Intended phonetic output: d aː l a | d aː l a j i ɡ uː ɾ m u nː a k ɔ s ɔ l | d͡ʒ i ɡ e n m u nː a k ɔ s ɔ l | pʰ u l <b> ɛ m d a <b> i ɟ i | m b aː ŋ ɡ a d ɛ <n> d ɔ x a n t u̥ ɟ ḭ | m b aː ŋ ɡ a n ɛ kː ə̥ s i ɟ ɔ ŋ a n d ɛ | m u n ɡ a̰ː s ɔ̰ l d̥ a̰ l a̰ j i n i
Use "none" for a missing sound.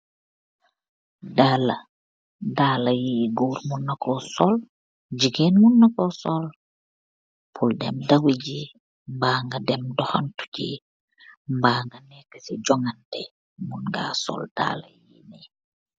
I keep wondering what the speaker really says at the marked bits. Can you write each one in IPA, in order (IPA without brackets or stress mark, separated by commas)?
d, w, m